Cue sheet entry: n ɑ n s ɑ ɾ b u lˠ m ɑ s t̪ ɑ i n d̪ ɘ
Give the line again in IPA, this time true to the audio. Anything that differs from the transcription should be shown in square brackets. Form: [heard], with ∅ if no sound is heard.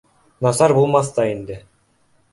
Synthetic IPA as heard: n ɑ [∅] s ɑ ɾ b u lˠ m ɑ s t̪ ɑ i n d̪ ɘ